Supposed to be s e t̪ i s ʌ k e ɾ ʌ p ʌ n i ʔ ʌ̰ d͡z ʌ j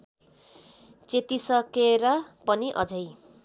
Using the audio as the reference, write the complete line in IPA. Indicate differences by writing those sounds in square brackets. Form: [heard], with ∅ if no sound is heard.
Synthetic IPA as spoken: [t͡s] e t̪ i s ʌ k e ɾ ʌ p ʌ n i ʔ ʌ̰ d͡z ʌ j

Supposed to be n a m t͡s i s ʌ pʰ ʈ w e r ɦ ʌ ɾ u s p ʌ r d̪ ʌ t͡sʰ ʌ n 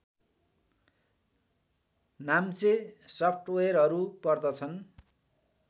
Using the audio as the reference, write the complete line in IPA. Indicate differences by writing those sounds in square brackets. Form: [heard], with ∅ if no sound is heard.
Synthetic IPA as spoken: n a m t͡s [e] s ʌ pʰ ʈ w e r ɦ ʌ ɾ u [∅] p ʌ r d̪ ʌ t͡sʰ ʌ n

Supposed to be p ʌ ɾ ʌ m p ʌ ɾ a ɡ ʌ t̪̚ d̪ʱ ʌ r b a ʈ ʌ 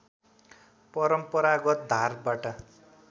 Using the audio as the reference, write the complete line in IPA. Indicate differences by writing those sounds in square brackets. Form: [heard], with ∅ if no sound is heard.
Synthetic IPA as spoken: p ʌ ɾ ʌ m p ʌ ɾ a ɡ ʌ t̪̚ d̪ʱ [a] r b a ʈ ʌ

